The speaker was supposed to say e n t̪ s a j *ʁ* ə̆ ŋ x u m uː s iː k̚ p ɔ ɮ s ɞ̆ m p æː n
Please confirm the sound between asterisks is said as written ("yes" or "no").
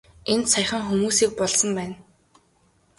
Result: no